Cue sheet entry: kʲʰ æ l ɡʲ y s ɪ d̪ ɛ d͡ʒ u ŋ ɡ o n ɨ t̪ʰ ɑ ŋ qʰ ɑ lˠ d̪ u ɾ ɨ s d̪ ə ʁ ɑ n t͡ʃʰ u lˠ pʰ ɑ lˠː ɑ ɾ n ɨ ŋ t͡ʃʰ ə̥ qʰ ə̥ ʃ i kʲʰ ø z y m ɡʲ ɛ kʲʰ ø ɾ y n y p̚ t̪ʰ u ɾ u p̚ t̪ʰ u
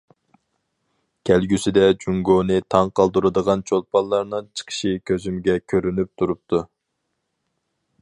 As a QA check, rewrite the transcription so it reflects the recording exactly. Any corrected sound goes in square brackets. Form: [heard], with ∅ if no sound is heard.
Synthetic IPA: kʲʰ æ l ɡʲ y s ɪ d̪ ɛ d͡ʒ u ŋ ɡ o n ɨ t̪ʰ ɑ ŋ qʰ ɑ lˠ d̪ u ɾ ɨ [∅] d̪ ə ʁ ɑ n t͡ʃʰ [o] lˠ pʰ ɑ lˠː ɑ ɾ n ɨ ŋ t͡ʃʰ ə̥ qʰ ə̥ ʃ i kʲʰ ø z y m ɡʲ ɛ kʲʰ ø ɾ y n y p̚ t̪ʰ u ɾ u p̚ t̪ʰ u